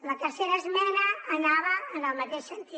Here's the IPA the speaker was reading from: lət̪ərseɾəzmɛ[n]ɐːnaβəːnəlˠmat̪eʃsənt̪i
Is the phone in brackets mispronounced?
no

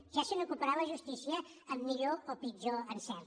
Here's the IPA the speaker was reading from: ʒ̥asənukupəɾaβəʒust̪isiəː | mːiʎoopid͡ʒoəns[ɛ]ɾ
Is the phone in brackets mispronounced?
no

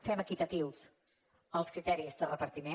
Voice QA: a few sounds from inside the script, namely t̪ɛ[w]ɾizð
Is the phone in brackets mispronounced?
yes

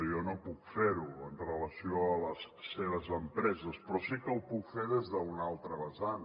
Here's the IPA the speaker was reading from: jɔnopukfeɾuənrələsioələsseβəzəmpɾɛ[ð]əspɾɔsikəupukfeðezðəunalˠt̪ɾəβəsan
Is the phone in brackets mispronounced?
yes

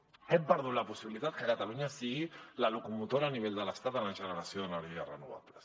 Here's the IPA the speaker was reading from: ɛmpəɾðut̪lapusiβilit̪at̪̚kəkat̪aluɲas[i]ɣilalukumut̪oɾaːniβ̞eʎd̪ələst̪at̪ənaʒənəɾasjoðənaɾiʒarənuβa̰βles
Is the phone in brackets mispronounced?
no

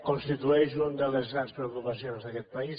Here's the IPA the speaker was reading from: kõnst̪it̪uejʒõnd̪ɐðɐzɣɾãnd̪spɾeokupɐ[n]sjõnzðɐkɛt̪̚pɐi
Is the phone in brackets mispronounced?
yes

